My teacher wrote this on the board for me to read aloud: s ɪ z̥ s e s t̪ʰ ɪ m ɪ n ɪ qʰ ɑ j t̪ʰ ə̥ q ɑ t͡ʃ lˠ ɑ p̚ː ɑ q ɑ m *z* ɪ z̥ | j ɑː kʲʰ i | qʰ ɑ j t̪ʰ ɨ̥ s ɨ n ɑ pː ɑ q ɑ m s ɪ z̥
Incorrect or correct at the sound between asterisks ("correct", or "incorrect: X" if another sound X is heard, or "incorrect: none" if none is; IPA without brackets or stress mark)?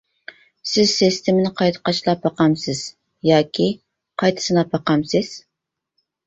incorrect: s